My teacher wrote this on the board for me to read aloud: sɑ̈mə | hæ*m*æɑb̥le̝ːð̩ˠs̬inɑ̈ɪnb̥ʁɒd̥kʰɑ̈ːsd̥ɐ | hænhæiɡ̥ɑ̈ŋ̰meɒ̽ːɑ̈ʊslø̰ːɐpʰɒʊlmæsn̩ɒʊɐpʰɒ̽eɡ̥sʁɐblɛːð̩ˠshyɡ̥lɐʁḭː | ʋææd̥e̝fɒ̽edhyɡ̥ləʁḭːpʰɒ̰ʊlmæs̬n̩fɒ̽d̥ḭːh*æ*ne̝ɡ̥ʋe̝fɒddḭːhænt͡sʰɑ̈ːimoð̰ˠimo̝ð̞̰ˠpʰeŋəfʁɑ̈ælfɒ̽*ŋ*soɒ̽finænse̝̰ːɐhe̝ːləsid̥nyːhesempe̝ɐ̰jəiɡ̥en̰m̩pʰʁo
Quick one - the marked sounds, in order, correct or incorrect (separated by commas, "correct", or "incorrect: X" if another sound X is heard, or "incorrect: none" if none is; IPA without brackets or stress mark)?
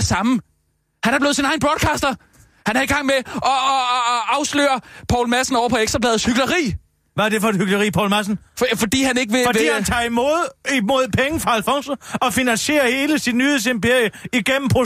incorrect: n, correct, correct